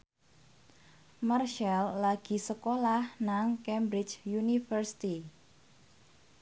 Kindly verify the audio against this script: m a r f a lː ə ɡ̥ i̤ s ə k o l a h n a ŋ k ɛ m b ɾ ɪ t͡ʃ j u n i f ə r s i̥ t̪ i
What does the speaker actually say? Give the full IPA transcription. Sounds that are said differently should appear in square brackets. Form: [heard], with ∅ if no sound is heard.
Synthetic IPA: m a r [ʃ] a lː [a] ɡ̥ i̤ s ə k o l a h n a ŋ k ɛ m b ɾ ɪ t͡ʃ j u n i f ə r s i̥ t̪ i